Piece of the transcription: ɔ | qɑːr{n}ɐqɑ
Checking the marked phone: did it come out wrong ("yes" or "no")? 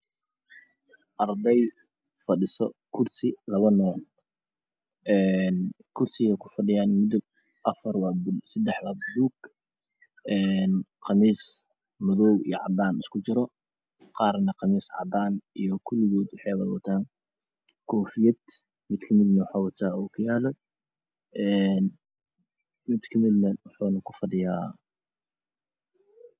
no